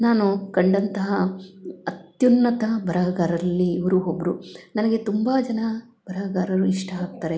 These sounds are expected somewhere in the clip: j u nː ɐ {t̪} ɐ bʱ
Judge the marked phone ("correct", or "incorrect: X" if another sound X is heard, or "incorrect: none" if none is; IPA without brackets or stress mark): correct